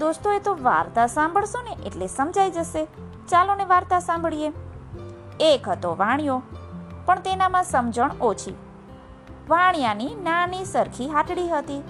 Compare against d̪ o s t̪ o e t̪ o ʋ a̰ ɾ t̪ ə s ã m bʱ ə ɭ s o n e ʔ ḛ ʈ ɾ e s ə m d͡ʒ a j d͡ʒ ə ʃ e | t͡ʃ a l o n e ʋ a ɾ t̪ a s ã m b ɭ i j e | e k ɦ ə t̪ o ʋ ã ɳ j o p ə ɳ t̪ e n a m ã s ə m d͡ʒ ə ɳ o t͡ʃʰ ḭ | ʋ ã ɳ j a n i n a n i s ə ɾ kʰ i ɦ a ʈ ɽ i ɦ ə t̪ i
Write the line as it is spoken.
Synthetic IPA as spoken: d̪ o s t̪ o e t̪ o ʋ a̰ ɾ t̪ a s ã m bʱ ə ɭ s o n e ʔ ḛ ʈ l e s ə m d͡ʒ a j d͡ʒ ə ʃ e | t͡ʃ a l o n e ʋ a ɾ t̪ a s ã m b ɭ i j e | e k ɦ ə t̪ o ʋ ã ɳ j o p ə ɳ t̪ e n a m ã s ə m d͡ʒ ə ɳ o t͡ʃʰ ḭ | ʋ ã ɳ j a n i n a n i s ə ɾ kʰ i ɦ a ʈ ɽ i ɦ ə t̪ i